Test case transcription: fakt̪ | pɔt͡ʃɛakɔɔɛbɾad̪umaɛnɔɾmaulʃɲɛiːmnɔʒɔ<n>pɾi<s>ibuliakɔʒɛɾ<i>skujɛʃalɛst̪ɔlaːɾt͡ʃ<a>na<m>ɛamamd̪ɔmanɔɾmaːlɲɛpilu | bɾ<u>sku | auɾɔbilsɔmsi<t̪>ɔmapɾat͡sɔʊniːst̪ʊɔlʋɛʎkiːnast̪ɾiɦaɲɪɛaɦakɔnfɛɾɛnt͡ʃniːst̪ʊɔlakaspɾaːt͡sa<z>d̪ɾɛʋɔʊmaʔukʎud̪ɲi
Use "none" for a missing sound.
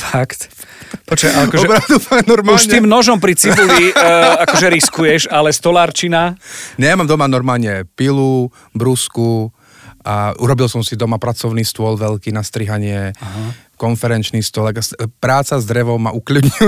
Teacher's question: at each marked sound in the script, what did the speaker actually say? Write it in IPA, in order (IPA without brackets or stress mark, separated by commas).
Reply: m, t͡s, i, i, ɲ, u, d̪, z